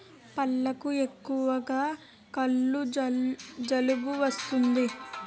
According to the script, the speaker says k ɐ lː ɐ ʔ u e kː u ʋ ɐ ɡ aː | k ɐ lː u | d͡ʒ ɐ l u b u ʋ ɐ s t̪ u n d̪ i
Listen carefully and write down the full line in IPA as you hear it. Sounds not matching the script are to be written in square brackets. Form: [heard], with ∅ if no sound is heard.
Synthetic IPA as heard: [p] ɐ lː ɐ [k] u e kː u ʋ ɐ ɡ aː | k ɐ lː u | d͡ʒ ɐ l u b u ʋ ɐ s t̪ u n d̪ i